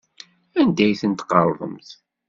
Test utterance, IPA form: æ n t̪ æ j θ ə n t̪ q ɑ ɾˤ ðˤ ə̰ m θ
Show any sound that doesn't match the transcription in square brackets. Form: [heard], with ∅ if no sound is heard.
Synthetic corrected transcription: æ n [d̪] æ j θ ə n t̪ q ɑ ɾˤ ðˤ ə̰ m θ